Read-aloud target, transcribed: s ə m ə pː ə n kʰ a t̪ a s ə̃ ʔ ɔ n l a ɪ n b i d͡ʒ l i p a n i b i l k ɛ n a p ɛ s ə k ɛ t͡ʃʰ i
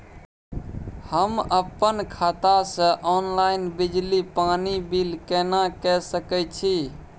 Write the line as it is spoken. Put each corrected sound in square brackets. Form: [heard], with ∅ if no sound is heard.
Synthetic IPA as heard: [h] ə m ə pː ə n kʰ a t̪ a s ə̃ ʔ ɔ n l a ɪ n b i d͡ʒ l i p a n i b i l k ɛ n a [k] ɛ s ə k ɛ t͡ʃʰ i